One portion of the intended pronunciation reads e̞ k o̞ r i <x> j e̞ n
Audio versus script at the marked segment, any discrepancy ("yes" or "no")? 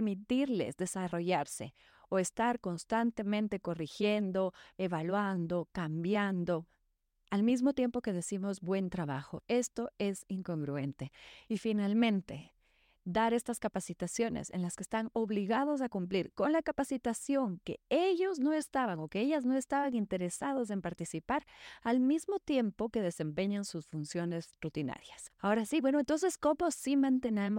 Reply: no